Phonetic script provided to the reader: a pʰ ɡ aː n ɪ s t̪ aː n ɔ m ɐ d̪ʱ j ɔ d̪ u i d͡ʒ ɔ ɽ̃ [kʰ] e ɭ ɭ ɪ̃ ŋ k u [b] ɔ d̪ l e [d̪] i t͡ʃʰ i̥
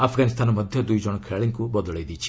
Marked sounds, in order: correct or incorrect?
correct, correct, correct

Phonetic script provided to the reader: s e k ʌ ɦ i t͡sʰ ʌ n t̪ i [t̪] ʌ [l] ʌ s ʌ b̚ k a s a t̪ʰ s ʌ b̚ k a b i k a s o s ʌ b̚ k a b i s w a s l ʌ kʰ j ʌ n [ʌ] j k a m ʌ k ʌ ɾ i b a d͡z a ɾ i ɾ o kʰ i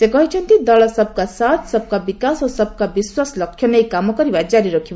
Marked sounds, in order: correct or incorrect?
incorrect: d̪, correct, correct

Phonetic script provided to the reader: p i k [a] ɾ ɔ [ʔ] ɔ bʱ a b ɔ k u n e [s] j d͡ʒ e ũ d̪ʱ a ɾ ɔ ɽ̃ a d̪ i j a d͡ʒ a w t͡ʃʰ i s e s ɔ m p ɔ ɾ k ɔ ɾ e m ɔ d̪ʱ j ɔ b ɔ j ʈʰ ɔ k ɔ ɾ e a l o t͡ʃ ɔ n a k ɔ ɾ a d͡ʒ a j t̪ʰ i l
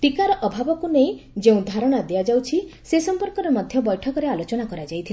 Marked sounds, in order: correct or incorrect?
correct, correct, incorrect: none

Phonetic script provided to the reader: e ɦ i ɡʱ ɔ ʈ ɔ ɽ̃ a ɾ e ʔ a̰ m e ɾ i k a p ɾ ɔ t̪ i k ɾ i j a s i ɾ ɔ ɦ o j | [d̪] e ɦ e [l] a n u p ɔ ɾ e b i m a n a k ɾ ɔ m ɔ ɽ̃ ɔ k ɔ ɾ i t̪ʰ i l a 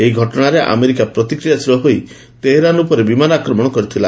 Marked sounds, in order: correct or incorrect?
incorrect: t̪, incorrect: ɾ

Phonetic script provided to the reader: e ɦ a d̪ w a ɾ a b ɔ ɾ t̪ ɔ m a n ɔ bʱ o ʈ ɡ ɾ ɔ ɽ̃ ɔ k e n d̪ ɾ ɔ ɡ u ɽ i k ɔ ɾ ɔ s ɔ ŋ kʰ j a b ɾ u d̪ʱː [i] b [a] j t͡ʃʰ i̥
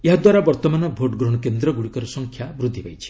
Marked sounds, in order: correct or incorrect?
correct, correct

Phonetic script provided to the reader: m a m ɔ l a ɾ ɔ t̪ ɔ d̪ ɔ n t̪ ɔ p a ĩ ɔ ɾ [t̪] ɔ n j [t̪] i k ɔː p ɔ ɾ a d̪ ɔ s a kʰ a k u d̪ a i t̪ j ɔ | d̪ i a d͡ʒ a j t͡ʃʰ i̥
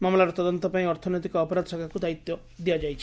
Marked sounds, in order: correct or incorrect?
incorrect: t̪ʰ, correct

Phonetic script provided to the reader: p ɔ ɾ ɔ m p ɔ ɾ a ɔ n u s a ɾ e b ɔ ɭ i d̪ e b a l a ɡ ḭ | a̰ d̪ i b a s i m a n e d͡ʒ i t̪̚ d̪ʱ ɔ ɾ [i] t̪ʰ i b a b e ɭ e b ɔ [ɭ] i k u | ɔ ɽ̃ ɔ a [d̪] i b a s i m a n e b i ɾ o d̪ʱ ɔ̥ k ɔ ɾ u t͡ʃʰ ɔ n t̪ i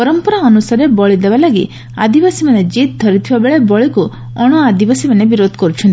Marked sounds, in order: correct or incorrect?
correct, correct, correct

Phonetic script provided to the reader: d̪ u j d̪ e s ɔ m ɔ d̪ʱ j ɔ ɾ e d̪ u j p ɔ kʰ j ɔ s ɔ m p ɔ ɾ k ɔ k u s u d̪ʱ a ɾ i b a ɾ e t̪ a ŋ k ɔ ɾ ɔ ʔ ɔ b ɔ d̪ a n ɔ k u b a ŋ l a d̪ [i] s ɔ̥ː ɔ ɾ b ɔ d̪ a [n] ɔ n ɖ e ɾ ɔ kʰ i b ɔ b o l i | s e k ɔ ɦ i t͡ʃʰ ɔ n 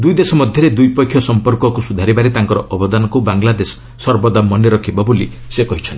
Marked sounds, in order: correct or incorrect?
incorrect: e, incorrect: m

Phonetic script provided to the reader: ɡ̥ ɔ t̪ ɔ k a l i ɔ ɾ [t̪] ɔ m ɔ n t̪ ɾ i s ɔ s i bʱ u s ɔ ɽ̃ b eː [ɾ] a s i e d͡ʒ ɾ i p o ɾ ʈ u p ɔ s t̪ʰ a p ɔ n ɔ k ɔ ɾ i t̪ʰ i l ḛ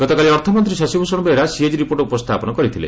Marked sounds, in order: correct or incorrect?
incorrect: t̪ʰ, correct

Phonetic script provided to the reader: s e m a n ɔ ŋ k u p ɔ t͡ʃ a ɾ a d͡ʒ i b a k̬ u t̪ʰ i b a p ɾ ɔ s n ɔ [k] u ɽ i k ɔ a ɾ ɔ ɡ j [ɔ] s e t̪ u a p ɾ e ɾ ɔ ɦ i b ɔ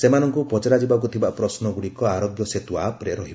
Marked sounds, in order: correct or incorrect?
incorrect: ɡ, correct

